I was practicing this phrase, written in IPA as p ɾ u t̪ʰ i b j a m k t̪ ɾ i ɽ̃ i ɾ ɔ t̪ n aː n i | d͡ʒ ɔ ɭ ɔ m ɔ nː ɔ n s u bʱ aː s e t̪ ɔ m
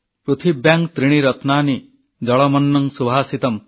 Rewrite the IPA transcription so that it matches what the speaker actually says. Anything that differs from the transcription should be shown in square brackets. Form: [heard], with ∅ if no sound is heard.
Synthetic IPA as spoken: p ɾ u t̪ʰ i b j a [ŋ] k t̪ ɾ i ɽ̃ i ɾ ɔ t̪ n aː n i | d͡ʒ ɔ ɭ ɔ m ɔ nː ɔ [ŋ] s u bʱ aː s [i] t̪ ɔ m